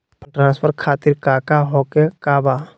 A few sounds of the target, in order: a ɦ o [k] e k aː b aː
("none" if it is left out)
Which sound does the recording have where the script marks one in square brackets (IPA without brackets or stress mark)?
k